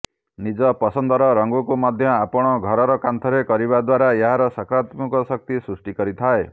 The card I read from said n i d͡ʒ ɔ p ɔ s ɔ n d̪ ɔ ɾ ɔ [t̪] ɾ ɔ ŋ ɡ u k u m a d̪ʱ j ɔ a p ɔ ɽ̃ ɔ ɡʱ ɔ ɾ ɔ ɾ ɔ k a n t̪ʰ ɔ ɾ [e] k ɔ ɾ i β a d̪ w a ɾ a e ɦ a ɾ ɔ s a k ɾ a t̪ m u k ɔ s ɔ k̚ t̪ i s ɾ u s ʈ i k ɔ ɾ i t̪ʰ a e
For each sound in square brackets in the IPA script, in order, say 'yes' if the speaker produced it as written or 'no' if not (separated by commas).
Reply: no, yes